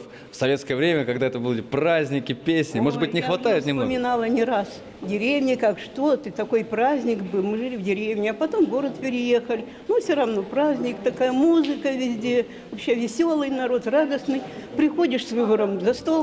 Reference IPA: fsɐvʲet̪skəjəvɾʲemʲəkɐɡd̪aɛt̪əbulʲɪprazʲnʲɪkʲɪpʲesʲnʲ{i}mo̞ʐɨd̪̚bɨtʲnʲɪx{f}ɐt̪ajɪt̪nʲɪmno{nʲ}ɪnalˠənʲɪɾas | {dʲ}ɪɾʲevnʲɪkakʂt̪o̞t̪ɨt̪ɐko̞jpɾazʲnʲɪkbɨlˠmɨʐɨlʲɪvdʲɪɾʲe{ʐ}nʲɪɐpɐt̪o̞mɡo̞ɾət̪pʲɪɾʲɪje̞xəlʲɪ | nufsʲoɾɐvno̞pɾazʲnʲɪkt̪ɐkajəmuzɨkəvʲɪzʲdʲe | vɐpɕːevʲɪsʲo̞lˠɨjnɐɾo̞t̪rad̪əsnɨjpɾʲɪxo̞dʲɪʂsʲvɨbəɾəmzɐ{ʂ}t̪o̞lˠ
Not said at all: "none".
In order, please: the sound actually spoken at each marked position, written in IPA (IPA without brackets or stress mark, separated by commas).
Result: ɪ, v, mʲ, dʲ, v, s